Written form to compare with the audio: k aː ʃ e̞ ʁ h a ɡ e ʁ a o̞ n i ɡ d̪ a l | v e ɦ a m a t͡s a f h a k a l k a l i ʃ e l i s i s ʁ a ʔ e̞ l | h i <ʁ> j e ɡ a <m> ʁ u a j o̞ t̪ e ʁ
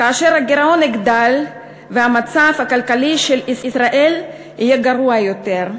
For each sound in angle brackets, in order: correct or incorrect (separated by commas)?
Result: incorrect, incorrect